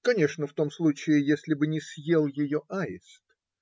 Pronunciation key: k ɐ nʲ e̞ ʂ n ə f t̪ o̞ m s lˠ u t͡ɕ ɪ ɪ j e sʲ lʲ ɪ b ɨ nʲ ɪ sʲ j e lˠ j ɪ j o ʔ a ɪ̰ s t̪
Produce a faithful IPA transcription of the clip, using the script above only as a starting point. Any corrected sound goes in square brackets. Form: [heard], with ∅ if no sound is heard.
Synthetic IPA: k ɐ nʲ e̞ ʂ n ə f t̪ o̞ m s lˠ u t͡ɕ ɪ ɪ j e sʲ lʲ ɪ b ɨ nʲ ɪ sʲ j e lˠ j ɪ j o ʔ a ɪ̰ s t̪